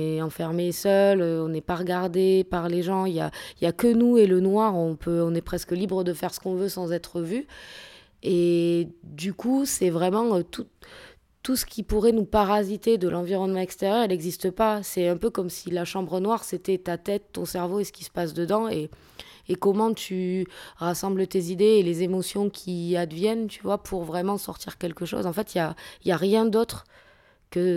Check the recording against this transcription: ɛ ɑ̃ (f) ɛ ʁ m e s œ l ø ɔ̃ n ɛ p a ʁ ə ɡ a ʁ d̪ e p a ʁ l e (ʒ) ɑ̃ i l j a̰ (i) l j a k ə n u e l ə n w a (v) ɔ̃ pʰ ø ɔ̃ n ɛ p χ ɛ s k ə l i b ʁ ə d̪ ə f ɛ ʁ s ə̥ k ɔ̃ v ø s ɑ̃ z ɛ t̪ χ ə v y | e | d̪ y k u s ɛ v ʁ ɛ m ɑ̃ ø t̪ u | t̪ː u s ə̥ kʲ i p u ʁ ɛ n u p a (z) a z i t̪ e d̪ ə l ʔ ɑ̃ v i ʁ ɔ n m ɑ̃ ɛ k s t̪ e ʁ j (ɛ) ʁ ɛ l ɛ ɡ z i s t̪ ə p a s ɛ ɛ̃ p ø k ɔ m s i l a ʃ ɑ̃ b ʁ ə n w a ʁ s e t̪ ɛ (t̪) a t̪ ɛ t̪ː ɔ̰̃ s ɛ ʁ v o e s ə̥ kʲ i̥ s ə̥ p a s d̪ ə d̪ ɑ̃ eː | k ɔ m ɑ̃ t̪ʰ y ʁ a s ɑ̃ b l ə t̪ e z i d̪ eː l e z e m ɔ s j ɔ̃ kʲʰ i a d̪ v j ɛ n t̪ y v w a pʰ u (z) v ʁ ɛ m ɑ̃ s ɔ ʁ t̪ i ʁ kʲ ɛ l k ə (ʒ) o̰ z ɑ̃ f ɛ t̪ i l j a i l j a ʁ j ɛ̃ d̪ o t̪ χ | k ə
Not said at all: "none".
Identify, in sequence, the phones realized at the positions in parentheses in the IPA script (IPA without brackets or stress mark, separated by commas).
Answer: f, ʒ, i, ʁ, ʁ, œ, t̪, ʁ, ʃ